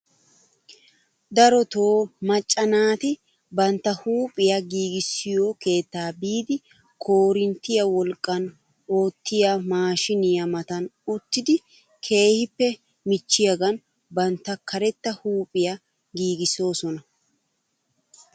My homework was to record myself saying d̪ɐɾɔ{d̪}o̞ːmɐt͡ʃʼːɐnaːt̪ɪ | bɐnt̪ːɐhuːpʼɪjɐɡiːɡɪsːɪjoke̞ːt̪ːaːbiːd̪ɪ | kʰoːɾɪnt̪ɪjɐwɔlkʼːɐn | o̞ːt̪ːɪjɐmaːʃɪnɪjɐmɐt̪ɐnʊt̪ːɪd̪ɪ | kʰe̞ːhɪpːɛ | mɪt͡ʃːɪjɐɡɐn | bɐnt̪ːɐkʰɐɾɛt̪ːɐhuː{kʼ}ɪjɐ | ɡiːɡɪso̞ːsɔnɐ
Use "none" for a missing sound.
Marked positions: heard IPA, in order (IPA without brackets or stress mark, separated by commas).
t̪, pʼ